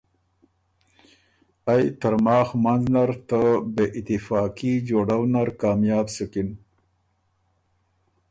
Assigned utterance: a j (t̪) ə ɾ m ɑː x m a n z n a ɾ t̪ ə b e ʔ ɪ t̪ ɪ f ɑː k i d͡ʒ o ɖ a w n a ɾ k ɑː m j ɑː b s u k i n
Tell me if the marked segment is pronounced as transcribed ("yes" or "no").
yes